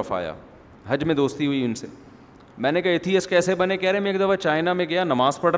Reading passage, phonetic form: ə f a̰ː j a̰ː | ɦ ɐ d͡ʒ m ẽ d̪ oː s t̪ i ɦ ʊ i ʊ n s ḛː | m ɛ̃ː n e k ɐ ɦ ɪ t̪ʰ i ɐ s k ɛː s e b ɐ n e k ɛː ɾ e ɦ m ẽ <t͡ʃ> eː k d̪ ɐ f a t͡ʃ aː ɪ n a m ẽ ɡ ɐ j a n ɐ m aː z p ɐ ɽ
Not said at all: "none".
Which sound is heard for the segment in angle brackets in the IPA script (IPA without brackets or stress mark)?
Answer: none